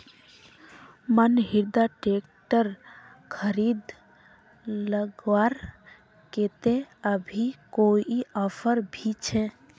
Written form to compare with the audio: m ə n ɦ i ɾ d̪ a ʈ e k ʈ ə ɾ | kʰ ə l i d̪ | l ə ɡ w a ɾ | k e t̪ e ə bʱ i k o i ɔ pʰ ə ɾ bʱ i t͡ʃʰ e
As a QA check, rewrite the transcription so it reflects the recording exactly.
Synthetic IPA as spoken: m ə n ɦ i ɾ d̪ a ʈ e k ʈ ə ɾ | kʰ ə ɾ i d̪ | l ə ɡ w a ɾ | k e t̪ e ə bʱ i k o i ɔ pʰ ə ɾ bʱ i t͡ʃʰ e